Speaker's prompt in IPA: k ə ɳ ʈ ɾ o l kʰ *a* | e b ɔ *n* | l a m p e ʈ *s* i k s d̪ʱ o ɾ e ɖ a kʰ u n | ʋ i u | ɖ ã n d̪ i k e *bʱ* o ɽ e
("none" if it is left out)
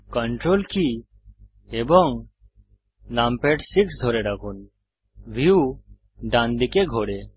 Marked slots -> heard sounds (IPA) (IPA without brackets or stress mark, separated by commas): i, ŋ, s, ɡʱ